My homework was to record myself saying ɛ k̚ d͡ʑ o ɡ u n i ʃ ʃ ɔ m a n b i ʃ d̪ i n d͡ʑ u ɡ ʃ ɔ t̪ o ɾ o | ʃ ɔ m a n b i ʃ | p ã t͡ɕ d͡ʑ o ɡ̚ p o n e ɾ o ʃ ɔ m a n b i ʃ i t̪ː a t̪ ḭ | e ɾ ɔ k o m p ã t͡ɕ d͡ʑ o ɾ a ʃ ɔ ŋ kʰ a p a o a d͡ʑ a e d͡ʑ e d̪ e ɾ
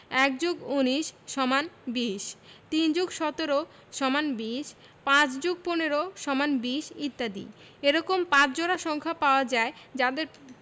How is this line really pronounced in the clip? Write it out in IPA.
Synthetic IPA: ɛ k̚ d͡ʑ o ɡ u n i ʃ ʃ ɔ m a n b i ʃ t̪ i n d͡ʑ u ɡ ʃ ɔ t̪ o ɾ o | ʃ ɔ m a n b i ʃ | p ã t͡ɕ d͡ʑ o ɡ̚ p o n e ɾ o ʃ ɔ m a n b i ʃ i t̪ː a d̪ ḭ | e ɾ ɔ k o m p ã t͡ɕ d͡ʑ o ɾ a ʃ ɔ ŋ kʰ a p a o a d͡ʑ a e d͡ʑ a d̪ e ɾ

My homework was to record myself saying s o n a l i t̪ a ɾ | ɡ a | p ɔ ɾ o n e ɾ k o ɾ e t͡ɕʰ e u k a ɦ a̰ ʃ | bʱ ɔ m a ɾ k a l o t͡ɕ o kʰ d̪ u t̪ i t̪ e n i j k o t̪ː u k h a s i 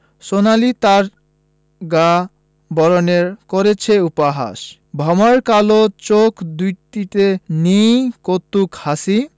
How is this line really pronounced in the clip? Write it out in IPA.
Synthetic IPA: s o n a l i t̪ a ɾ | ɡ a | b ɔ ɾ o n e ɾ k o ɾ e t͡ɕʰ e u p a ɦ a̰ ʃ | bʱ ɔ m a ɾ k a l o t͡ɕ o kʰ d̪ u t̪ i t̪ e n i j k o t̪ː u k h a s i

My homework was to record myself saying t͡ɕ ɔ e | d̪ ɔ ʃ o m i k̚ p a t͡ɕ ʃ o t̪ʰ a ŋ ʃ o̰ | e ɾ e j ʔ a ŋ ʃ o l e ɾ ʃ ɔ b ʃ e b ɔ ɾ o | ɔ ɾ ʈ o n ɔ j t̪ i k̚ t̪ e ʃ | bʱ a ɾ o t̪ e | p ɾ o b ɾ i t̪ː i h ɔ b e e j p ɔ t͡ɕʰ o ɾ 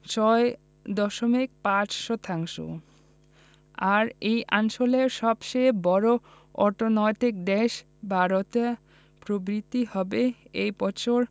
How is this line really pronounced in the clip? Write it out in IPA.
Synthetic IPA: t͡ɕ ɔ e | d̪ ɔ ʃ o m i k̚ p a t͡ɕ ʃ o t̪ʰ a ŋ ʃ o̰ | a ɾ e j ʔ a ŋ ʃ o l e ɾ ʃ ɔ b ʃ e b ɔ ɾ o | ɔ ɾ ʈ o n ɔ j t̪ i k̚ d̪ e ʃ | bʱ a ɾ o t̪ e | p ɾ o b ɾ i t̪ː i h ɔ b e e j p ɔ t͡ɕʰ o ɾ

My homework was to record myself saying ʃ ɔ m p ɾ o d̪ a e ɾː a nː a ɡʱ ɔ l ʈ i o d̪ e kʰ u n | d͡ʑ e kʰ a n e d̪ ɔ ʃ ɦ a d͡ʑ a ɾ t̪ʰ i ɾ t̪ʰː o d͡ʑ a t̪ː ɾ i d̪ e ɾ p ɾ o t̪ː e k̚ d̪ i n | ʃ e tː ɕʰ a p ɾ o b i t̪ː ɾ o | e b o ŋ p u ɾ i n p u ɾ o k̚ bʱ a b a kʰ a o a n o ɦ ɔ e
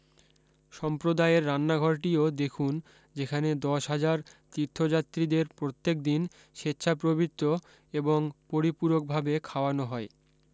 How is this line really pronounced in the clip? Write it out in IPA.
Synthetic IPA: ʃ ɔ m p ɾ o d̪ a e ɾː a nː a ɡʱ ɔ ɾ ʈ i o d̪ e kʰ u n | d͡ʑ e kʰ a n e d̪ ɔ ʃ ɦ a d͡ʑ a ɾ t̪ i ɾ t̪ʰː o d͡ʑ a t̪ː ɾ i d̪ e ɾ p ɾ o t̪ː e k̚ d̪ i n | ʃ e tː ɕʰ a p ɾ o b i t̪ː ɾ o | e b o ŋ p o ɾ i p u ɾ o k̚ bʱ a b e kʰ a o a n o ɦ ɔ e

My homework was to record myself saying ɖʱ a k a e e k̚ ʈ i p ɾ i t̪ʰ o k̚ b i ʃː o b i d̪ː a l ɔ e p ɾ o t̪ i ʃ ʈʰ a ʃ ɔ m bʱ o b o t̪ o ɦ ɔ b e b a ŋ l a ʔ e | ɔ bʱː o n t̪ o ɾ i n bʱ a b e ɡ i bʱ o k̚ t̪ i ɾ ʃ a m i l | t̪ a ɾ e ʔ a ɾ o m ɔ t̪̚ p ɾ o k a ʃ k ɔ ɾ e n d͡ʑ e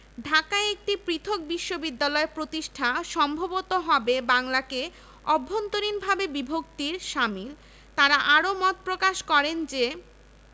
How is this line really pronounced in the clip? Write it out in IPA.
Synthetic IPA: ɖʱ a k a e e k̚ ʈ i p ɾ i t̪ʰ o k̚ b i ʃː o b i d̪ː a l ɔ e p ɾ o t̪ i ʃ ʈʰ a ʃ ɔ m bʱ o b o t̪ o ɦ ɔ b e b a ŋ l a k e | ɔ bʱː o n t̪ o ɾ i n bʱ a b e b i bʱ o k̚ t̪ i ɾ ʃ a m i l | t̪ a ɾ a ʔ a ɾ o m ɔ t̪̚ p ɾ o k a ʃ k ɔ ɾ e n d͡ʑ e

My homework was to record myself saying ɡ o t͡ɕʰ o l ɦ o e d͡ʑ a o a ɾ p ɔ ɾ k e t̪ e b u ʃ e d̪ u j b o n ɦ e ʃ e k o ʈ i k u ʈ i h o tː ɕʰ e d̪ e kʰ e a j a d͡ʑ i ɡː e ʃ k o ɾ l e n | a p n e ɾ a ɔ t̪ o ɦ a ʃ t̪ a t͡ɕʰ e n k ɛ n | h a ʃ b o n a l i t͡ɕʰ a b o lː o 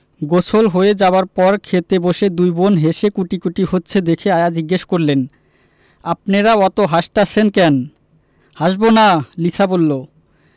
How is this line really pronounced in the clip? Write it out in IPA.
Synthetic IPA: ɡ o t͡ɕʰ o l ɦ o e d͡ʑ a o a ɾ p ɔ ɾ kʰ e t̪ e b o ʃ e d̪ u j b o n ɦ e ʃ e k u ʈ i k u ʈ i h o tː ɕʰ e d̪ e kʰ e a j a d͡ʑ i ɡː e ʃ k o ɾ l e n | a p n e ɾ a ɔ t̪ o ɦ a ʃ t̪ a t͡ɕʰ e n k ɛ n | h a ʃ b o n a l i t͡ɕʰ a b o lː o

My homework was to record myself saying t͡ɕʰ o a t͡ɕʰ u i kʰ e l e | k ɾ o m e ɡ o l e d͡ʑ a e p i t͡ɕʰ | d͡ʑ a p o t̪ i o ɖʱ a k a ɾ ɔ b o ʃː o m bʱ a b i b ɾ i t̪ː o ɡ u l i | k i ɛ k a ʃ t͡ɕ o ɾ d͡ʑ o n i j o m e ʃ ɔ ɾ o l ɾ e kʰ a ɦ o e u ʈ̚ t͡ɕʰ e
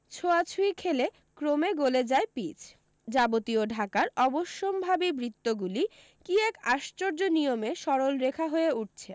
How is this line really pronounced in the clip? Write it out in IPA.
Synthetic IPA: t͡ɕʰ o a t͡ɕʰ u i kʰ e l e | k ɾ o m e ɡ o l e d͡ʑ a e p i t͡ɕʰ | d͡ʑ a b o t̪ i o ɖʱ a k a ɾ ɔ b o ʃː o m bʱ a b i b ɾ i t̪ː o ɡ u l i | k i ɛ k a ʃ t͡ɕ o ɾ d͡ʑ o n i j o m e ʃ ɔ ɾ o l ɾ e kʰ a ɦ o e u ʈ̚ t͡ɕʰ e

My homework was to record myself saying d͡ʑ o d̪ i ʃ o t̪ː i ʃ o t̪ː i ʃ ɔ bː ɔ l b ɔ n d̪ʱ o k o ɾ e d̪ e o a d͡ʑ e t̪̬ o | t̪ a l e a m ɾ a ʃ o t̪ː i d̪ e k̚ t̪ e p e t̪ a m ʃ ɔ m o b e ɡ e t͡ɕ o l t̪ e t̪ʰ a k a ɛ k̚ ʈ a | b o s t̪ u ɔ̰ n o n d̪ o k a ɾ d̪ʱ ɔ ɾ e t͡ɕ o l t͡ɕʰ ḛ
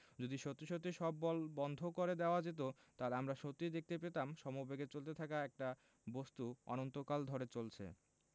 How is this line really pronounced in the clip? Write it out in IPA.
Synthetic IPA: d͡ʑ o d̪ i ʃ o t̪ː i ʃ o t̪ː i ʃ ɔ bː ɔ l b ɔ n d̪ʱ o k o ɾ e d̪ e o a d͡ʑ e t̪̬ o | t̪ a l e a m ɾ a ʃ o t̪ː i d̪ e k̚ t̪ e p e t̪ a m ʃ ɔ m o b e ɡ e t͡ɕ o l t̪ e t̪ʰ a k a ɛ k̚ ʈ a | b o s t̪ u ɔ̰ n o n t̪ o k a l d̪ʱ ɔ ɾ e t͡ɕ o l t͡ɕʰ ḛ

